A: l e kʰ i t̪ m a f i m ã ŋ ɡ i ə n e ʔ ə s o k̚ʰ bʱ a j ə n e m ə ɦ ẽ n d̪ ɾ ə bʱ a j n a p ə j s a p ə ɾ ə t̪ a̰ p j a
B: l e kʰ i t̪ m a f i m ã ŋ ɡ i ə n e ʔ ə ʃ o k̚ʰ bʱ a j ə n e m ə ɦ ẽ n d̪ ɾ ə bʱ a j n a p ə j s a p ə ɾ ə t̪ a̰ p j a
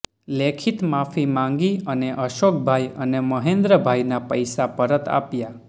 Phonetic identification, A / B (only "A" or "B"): B